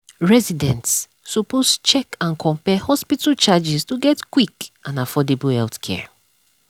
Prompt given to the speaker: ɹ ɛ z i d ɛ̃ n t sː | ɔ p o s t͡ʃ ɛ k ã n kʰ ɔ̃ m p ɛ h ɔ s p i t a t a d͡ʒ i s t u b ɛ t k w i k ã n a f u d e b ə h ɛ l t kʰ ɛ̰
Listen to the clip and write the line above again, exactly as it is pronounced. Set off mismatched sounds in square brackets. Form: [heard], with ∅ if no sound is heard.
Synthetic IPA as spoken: ɹ ɛ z i d ɛ̃ n t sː | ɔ p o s t͡ʃ ɛ k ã n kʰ ɔ̃ m p ɛ h ɔ s p i t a [t͡ʃ] a d͡ʒ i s t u [ɡ] ɛ t k w i k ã n a f [ɔ] d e b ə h ɛ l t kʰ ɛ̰